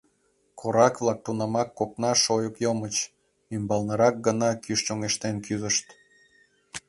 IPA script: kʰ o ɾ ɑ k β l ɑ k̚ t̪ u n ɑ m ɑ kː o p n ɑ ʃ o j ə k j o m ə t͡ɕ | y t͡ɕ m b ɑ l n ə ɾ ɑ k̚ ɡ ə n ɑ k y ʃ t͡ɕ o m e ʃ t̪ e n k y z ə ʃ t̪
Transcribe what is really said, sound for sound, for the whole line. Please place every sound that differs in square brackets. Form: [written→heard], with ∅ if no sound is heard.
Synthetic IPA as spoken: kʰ o ɾ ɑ k β l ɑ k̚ t̪ u n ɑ m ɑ kː o p n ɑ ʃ o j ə k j o m ə t͡ɕ | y [t͡ɕ→∅] m b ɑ l n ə ɾ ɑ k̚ ɡ ə n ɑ k y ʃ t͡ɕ o [m→ŋ] e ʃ t̪ e n k y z ə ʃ t̪